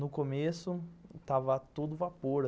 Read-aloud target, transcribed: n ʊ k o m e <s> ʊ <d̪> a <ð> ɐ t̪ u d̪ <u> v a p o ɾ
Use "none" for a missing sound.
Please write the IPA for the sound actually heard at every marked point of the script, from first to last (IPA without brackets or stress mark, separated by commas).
s, t̪, v, ʊ